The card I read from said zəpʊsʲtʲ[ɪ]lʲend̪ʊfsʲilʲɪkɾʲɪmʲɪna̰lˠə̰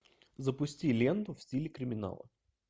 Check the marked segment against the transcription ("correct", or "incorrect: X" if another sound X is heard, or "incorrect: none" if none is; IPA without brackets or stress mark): incorrect: i